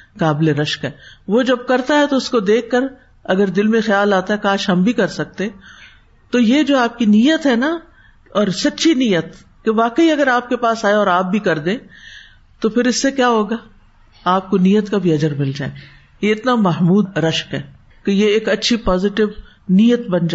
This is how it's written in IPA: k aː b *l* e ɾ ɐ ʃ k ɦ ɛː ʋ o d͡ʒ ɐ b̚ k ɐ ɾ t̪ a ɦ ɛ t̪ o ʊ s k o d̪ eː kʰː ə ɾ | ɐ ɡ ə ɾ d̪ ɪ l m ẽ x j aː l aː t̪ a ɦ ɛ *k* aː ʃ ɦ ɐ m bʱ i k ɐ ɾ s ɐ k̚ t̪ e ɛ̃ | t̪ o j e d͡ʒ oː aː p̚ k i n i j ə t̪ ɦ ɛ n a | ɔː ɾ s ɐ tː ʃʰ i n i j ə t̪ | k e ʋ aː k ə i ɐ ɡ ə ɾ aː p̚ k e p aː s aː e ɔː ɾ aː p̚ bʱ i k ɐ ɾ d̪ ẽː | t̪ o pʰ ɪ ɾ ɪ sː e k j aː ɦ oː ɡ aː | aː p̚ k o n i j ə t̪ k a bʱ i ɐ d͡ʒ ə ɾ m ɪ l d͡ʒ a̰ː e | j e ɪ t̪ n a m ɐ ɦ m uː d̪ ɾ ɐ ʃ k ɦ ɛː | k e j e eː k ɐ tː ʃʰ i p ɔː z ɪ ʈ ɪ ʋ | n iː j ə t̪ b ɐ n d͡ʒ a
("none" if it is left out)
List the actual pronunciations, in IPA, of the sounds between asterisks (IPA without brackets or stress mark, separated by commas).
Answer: l, k